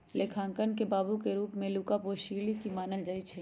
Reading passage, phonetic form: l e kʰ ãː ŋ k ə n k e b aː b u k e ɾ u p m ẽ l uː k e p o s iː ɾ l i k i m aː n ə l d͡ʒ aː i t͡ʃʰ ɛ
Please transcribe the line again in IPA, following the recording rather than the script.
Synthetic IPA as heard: l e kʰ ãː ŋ k ə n k e b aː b u k e ɾ uː p m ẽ l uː k a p o ʃ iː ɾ l i k i m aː n ə l d͡ʒ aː i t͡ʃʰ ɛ